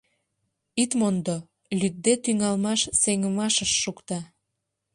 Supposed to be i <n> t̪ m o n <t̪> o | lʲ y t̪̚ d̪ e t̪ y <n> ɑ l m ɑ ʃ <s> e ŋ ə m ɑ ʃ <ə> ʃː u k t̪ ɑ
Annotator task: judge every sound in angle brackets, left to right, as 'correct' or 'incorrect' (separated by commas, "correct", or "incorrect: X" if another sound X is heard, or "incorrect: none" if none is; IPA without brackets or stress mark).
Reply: incorrect: none, incorrect: d̪, incorrect: ŋ, correct, correct